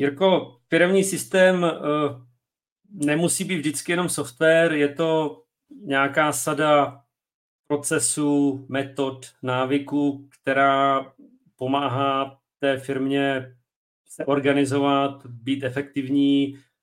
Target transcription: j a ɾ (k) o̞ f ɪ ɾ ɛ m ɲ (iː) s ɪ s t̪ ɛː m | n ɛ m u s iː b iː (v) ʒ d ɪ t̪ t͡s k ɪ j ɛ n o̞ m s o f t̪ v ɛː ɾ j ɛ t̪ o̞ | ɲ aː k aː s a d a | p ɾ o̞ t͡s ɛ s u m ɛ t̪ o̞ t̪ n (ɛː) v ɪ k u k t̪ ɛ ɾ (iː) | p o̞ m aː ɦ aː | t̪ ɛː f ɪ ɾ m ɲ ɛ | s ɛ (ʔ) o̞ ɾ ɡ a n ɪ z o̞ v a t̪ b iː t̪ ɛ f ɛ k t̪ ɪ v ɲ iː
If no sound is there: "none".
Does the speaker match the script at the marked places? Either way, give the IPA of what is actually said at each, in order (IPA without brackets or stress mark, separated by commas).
k, iː, v, aː, aː, ʔ